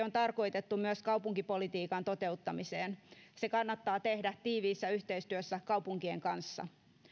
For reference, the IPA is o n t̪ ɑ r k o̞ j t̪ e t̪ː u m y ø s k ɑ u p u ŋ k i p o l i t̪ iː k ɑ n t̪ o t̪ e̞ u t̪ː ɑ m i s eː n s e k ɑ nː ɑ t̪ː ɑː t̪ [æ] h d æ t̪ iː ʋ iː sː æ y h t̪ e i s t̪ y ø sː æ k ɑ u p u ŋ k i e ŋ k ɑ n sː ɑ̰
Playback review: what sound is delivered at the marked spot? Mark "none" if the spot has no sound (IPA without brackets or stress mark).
e